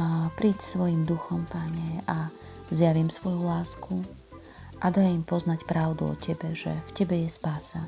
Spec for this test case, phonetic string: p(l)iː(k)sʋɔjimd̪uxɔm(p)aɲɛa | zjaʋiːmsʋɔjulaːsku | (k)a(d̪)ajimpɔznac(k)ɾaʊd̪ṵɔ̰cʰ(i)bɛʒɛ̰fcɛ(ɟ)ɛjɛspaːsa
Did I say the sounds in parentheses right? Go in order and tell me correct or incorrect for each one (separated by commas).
incorrect, incorrect, correct, incorrect, correct, incorrect, incorrect, incorrect